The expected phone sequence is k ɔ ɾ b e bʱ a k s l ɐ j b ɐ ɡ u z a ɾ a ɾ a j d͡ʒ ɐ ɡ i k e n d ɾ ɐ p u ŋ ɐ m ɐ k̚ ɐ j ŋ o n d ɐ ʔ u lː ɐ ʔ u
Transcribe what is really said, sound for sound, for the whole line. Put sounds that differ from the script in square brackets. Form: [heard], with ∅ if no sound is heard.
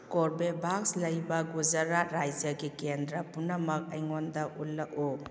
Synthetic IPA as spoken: k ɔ ɾ b e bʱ a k s l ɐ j b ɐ ɡ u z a ɾ a ɾ a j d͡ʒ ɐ ɡ i k e n d ɾ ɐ p u [n] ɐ m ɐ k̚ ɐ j ŋ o n d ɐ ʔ u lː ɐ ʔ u